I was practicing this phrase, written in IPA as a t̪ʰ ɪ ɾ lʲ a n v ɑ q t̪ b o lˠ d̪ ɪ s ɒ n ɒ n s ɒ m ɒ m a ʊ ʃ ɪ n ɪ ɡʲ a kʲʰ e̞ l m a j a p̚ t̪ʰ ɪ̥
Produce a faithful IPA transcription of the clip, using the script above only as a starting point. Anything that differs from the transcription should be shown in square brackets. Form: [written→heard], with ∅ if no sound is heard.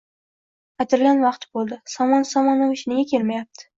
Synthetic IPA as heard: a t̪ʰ ɪ ɾ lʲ a n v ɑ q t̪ b o lˠ d̪ ɪ s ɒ [n→m] ɒ n s ɒ m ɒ [m→n] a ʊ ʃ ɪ n ɪ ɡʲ a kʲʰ e̞ l m a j a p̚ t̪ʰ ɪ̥